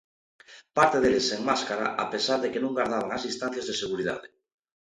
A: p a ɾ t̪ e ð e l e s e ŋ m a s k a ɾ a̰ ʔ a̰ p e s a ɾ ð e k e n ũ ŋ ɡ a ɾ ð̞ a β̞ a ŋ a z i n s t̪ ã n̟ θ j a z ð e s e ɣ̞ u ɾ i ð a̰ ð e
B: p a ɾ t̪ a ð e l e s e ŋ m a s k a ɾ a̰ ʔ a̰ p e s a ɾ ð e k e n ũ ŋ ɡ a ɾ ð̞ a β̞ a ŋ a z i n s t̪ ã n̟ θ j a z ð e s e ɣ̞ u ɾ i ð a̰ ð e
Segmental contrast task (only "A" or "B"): A